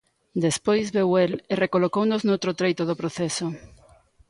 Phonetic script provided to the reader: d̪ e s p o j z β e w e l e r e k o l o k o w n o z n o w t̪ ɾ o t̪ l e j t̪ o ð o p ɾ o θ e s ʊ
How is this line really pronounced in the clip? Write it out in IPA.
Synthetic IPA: d̪ e s p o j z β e w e l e r e k o l o k o w n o z n o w t̪ ɾ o t̪ ɾ e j t̪ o ð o p ɾ o θ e s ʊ

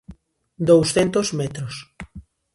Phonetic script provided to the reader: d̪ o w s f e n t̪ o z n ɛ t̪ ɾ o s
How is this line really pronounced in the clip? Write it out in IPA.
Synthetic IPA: d̪ o w s θ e n t̪ o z m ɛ t̪ ɾ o s

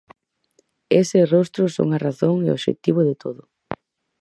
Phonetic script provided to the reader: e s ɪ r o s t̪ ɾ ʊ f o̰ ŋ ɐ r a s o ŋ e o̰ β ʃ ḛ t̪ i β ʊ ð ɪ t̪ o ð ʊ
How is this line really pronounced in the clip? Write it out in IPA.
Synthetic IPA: e s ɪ r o s t̪ ɾ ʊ s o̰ ŋ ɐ r a θ o ŋ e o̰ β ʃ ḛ t̪ i β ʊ ð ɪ t̪ o ð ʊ

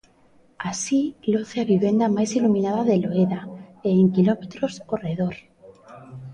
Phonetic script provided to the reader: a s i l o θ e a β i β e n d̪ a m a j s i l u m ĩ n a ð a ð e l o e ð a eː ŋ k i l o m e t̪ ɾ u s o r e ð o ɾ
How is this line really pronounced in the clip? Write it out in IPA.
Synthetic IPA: a s i l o θ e a β i β e n d̪ a m a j s i l u m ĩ n a ð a ð e l o e ð a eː ŋ k i l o m e t̪ ɾ o s o r e ð o ɾ

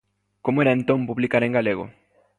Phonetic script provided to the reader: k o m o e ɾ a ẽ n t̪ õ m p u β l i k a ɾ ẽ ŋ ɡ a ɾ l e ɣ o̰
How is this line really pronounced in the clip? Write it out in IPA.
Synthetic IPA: k o m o e ɾ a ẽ n t̪ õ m p u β l i k a ɾ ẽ ŋ ɡ a l e ɣ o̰

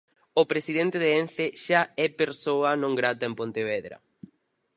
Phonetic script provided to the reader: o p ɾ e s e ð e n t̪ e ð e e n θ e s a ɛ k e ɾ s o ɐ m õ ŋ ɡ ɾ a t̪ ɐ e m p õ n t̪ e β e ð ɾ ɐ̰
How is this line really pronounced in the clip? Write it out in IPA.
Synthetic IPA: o p ɾ e s i ð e n t̪ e ð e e n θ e ʃ a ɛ p e ɾ s o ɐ n õ ŋ ɡ ɾ a t̪ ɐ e m p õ n t̪ e β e ð ɾ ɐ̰

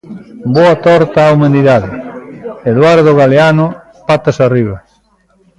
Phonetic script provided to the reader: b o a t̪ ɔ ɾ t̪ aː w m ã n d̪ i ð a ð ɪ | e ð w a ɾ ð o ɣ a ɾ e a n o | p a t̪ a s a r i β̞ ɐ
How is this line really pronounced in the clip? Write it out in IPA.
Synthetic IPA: b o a t̪ ɔ ɾ t̪ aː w m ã n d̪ i ð a ð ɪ | e ð w a ɾ ð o ɣ a l e a n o | p a t̪ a s a r i β̞ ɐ

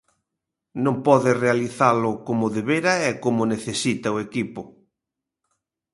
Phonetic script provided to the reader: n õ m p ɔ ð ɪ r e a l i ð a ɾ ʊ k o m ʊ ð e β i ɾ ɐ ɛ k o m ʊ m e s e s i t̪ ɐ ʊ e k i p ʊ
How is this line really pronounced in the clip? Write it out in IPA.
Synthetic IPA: n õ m p ɔ ð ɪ r e a l i θ a l ʊ k o m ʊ ð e β e ɾ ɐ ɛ k o m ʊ n e θ e s i t̪ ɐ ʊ e k i p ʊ

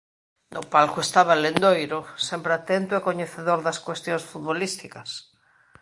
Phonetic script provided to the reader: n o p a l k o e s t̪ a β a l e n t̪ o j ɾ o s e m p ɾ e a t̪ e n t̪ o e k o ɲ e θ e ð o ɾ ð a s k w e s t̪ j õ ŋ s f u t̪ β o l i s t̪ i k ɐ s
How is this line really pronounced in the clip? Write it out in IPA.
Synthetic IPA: n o p a l k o e s t̪ a β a l e n d̪ o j ɾ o s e m p ɾ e a t̪ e n t̪ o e k o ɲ e θ e ð o ɾ ð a s k w e s t̪ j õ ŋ s f u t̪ β o l i s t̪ i k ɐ s

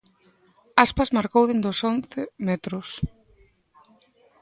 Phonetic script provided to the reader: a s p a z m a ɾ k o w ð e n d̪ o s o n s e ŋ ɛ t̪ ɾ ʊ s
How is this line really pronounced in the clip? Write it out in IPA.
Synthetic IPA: a s p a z m a ɾ k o w ð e n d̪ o s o n θ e m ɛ t̪ ɾ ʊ s

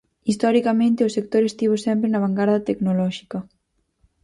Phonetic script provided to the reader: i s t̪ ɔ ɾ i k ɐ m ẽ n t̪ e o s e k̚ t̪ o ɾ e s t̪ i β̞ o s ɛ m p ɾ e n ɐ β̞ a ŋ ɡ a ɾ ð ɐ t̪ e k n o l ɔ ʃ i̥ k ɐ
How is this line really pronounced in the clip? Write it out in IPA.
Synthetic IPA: i s t̪ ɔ ɾ i k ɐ m ẽ n t̪ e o s e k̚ t̪ o ɾ e s t̪ i β̞ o s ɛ m p ɾ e n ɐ β̞ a ŋ ɡ a ɾ ð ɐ t̪ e k n o l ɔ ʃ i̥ k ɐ

